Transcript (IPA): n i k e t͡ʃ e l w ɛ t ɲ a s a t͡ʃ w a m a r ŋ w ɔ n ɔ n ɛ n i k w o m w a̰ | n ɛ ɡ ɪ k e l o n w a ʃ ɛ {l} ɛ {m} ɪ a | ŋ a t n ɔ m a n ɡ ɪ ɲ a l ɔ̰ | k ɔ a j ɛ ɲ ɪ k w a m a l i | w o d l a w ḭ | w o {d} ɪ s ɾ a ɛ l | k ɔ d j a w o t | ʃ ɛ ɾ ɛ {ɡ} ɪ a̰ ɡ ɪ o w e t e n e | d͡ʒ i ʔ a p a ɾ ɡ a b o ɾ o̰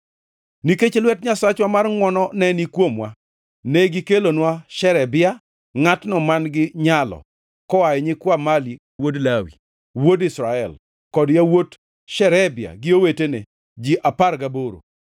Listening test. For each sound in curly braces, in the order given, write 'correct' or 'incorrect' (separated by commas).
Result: incorrect, incorrect, correct, incorrect